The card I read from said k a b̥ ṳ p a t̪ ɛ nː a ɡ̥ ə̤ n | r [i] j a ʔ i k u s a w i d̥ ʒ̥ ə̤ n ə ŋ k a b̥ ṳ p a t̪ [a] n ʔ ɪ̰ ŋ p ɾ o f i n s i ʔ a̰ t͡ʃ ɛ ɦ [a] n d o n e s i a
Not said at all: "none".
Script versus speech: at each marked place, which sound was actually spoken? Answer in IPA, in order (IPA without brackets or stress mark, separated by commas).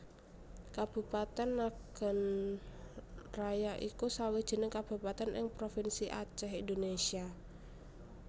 a, ɛ, i